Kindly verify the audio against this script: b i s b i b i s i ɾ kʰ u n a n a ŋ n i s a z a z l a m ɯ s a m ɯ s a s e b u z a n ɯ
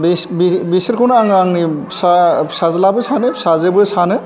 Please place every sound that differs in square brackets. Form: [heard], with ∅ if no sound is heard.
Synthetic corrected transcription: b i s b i b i s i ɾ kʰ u n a [ŋ] a ŋ n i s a [s] a z l a [b] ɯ s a [n] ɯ s a [z] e b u [s] a n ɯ